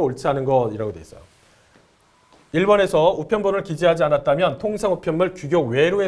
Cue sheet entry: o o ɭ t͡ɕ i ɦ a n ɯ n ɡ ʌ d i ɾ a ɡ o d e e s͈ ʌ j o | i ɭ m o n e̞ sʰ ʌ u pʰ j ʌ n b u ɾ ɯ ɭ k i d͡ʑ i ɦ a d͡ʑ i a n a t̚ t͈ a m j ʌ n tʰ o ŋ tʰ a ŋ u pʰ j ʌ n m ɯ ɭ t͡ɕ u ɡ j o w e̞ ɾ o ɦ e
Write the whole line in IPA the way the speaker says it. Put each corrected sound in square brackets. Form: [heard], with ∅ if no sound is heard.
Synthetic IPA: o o ɭ [t͡ɕʰ] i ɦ a n ɯ n ɡ ʌ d i ɾ a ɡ o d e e s͈ ʌ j o | i ɭ [b] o n e̞ sʰ ʌ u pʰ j ʌ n b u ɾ ɯ ɭ k i d͡ʑ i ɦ a d͡ʑ i a n a t̚ t͈ a m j ʌ n tʰ o ŋ [sʰ] a ŋ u pʰ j ʌ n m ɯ ɭ t͡ɕ u ɡ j o w e̞ ɾ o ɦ e